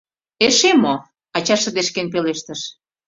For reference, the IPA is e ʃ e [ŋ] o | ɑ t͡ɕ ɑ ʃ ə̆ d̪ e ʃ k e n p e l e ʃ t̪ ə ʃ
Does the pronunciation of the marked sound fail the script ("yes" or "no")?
yes